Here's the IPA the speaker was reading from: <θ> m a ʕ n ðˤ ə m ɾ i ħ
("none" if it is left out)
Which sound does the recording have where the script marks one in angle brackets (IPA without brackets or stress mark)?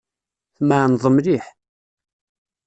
θ